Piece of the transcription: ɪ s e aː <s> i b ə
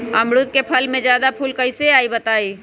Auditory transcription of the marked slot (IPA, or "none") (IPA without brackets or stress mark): none